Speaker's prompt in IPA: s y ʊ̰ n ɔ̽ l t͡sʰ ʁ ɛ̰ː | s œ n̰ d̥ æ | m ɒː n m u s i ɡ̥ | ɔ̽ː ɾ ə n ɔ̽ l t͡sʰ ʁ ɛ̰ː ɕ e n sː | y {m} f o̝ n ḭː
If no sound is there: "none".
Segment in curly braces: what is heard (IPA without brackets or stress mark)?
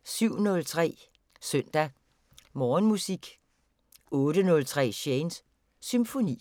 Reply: m